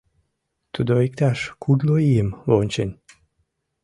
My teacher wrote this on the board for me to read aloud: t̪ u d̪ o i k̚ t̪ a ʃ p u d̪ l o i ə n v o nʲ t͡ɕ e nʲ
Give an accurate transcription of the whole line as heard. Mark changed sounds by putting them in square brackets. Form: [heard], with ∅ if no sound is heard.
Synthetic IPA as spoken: t̪ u d̪ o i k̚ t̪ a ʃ [k] u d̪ l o i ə [m] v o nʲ t͡ɕ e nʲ